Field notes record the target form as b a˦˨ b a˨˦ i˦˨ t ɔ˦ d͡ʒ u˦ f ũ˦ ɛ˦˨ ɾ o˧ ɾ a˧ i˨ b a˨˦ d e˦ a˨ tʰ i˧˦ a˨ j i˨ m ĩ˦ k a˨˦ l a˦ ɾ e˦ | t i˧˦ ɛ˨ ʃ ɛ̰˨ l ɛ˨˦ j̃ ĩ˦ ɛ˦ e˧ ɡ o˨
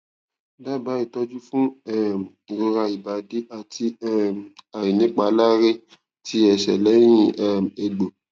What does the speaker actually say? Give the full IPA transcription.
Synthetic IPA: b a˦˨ b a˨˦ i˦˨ t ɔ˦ d͡ʒ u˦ f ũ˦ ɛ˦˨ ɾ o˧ ɾ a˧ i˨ b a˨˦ d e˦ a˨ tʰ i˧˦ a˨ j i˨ n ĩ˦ k͡p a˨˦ l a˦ ɾ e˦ | t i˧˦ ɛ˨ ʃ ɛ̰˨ l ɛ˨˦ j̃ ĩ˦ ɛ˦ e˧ ɡ͡b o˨